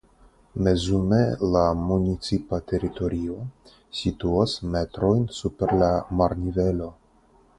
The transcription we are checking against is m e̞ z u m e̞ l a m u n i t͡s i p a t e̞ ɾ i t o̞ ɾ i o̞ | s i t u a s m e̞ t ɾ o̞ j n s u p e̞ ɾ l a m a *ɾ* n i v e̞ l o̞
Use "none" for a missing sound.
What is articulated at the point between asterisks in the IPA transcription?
ɾ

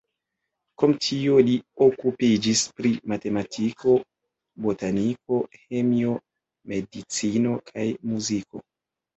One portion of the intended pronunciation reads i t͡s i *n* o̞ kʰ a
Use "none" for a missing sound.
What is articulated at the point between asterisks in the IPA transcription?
n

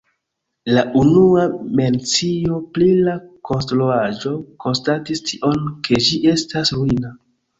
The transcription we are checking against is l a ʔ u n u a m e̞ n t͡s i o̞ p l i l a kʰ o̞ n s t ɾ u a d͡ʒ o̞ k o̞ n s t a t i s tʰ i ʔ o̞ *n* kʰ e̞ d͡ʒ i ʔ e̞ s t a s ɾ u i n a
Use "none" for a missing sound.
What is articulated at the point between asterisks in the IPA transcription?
n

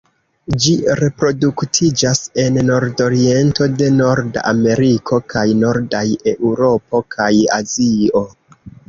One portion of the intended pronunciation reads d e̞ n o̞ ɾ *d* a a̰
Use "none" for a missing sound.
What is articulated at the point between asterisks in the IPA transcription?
d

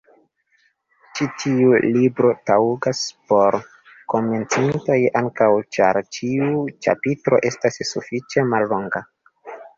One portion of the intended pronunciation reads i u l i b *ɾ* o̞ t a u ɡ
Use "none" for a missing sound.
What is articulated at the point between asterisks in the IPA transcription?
ɾ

